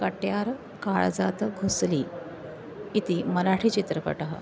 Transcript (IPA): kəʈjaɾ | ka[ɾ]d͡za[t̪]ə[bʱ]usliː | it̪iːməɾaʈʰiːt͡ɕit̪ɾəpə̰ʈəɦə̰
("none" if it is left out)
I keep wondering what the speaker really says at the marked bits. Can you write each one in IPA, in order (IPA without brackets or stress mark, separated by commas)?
ɭ, t̪, ɡʱ